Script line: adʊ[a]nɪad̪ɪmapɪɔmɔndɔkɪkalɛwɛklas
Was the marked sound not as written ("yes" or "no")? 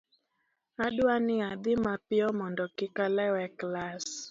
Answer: no